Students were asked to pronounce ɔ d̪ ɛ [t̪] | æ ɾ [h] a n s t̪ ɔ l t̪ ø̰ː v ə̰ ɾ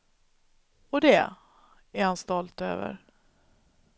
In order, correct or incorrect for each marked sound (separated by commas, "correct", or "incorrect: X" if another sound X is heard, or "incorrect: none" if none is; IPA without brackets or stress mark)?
incorrect: none, correct